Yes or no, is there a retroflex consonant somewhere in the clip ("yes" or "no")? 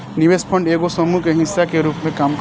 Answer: yes